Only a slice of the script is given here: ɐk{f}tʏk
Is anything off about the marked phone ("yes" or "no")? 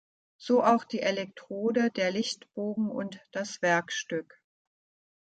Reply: yes